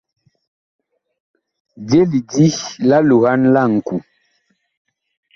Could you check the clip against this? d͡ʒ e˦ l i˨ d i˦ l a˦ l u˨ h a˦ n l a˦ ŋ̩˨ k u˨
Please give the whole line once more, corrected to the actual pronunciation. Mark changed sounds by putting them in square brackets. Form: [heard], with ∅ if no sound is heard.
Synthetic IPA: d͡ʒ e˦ l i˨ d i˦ l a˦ l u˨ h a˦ n l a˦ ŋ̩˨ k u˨